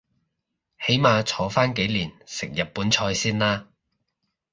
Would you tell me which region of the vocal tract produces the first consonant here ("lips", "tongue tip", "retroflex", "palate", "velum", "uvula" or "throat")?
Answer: throat